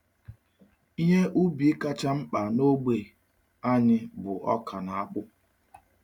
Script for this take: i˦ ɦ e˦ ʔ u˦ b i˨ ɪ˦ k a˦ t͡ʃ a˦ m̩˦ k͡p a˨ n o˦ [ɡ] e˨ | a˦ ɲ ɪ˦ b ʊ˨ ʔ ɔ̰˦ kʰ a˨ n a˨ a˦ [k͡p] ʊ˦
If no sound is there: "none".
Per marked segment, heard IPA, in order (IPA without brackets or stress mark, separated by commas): ɡ͡b, k͡p